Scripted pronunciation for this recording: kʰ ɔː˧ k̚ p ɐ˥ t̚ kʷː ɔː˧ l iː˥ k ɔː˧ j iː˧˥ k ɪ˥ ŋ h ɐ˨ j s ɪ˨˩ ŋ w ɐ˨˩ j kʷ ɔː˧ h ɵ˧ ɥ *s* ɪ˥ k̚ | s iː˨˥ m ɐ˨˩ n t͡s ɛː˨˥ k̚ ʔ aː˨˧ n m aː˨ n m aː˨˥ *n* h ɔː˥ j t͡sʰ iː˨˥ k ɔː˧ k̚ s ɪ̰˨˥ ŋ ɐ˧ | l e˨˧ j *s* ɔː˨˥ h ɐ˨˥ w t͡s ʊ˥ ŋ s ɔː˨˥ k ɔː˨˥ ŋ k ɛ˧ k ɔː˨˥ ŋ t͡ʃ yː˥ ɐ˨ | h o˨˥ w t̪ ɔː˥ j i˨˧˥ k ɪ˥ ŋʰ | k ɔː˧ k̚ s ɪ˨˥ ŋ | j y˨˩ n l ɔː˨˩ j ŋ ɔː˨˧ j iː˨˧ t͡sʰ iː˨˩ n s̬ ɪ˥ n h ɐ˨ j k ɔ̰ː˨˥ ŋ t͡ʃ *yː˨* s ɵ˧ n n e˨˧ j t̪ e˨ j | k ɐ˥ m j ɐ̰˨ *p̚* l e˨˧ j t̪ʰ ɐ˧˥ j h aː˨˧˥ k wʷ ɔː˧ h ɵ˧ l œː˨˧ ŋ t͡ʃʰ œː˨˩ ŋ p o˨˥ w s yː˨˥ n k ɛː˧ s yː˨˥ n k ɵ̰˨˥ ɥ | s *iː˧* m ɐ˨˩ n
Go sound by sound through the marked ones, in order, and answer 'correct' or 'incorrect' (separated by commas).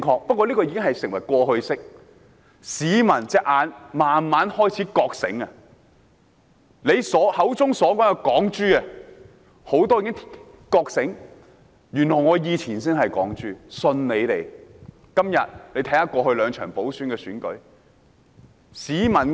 correct, correct, correct, incorrect, incorrect, incorrect